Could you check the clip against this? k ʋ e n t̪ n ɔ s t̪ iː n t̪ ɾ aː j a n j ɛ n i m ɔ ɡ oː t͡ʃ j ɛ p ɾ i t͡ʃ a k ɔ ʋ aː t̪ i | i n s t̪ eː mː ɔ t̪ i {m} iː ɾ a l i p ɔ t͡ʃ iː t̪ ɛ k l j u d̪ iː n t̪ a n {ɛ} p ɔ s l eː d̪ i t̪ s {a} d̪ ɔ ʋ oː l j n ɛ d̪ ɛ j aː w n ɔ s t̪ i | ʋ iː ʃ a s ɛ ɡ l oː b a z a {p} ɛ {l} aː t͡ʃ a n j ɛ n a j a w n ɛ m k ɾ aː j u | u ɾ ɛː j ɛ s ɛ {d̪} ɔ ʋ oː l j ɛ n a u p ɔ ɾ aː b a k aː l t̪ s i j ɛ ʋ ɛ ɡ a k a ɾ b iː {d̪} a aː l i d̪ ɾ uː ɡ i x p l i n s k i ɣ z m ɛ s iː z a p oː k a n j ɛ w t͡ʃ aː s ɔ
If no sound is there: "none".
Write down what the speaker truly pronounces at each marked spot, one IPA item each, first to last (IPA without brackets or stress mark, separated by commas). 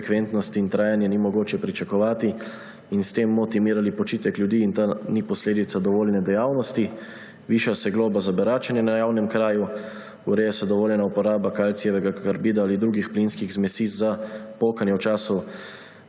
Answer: m, i, a, b, ɾ, d̪, d̪